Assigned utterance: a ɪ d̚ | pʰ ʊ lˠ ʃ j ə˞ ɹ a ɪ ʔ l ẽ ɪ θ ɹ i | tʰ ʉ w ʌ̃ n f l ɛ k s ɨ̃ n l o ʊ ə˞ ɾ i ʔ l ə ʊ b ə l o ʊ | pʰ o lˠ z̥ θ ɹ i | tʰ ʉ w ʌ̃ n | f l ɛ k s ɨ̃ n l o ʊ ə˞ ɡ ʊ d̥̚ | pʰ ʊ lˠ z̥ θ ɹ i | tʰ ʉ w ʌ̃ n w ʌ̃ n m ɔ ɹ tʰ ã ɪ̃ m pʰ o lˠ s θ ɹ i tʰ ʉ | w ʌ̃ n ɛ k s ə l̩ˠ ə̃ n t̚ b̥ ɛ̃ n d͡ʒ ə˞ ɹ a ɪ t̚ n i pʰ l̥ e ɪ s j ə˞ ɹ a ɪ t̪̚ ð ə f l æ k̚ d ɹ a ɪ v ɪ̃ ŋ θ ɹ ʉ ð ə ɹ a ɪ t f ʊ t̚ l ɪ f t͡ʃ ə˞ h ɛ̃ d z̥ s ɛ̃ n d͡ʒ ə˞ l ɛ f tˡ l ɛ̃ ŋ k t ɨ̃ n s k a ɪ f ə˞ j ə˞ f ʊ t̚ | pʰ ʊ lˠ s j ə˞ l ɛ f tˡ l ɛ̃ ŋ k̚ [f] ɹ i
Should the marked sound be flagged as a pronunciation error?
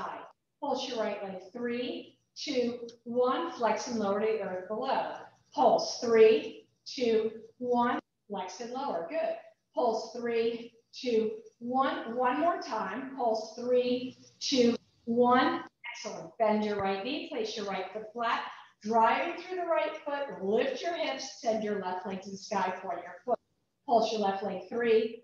yes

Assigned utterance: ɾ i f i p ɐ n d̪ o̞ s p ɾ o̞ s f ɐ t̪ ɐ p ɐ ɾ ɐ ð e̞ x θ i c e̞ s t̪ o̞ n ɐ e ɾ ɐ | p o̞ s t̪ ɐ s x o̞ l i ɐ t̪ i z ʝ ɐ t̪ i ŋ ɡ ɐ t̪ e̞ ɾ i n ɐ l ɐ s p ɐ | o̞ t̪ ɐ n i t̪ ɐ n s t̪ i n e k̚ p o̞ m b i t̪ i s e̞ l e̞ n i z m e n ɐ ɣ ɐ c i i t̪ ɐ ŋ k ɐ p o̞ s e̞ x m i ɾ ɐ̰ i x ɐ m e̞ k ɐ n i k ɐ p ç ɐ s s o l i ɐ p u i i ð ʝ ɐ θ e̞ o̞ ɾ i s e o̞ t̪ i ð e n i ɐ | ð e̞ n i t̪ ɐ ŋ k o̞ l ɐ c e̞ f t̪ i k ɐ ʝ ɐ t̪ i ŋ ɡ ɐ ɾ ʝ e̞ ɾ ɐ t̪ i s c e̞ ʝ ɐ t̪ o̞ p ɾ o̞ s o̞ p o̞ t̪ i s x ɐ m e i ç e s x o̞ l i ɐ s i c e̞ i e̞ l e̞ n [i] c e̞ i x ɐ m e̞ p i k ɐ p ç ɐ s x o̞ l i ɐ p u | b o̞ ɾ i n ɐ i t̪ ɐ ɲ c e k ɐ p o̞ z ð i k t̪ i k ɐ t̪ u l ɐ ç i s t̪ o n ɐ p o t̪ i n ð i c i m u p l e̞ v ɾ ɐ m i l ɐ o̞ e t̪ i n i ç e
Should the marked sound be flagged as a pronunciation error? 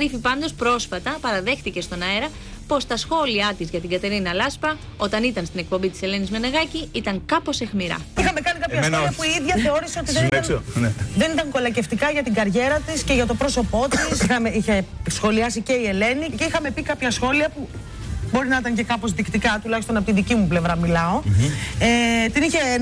no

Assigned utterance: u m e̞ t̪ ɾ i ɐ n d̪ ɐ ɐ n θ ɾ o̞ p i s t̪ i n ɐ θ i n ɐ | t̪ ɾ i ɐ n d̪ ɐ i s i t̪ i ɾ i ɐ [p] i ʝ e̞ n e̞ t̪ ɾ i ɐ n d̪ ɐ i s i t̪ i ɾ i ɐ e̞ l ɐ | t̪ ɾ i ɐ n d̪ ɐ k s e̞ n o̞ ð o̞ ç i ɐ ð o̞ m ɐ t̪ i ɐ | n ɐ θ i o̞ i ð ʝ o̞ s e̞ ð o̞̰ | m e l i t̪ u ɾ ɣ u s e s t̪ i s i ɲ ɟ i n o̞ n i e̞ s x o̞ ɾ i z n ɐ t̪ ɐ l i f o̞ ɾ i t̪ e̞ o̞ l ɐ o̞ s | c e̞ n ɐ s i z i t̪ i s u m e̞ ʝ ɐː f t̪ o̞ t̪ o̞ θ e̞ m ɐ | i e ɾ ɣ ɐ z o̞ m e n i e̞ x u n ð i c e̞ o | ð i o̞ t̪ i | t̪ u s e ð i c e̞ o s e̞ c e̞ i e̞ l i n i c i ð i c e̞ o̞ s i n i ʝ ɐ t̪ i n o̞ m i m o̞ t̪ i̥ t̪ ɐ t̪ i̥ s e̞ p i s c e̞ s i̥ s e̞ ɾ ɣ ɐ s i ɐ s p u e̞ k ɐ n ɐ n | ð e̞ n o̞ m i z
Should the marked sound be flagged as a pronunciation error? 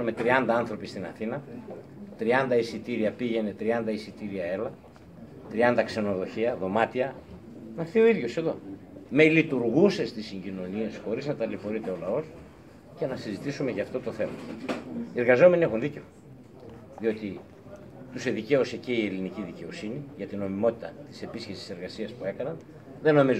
no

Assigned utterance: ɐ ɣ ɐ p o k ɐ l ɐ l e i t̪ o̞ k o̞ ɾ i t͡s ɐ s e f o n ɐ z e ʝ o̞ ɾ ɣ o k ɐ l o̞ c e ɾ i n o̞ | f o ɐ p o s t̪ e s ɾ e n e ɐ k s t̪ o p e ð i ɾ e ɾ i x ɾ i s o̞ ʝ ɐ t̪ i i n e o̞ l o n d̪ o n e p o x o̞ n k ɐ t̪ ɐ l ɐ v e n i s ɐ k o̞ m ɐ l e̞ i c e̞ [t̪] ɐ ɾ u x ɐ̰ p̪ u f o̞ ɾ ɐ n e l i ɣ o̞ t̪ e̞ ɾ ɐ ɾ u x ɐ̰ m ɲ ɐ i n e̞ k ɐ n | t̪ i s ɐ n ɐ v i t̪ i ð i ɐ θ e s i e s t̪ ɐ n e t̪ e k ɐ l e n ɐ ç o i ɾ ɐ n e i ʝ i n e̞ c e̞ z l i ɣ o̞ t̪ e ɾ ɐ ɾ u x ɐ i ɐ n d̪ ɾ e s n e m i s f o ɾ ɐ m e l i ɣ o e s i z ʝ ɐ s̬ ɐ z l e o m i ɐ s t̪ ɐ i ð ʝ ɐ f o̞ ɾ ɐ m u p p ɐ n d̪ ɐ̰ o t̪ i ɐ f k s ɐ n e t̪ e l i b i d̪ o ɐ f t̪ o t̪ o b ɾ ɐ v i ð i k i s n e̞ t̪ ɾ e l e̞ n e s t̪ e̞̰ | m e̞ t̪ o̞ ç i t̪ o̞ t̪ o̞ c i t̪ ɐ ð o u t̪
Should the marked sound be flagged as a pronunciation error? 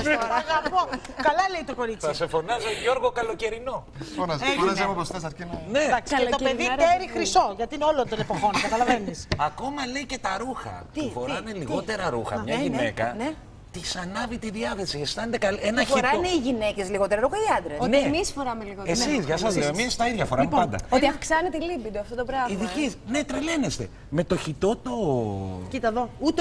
no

